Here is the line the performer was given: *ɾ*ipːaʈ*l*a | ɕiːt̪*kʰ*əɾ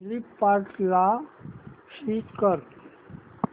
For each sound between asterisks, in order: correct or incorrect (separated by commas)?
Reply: incorrect, correct, incorrect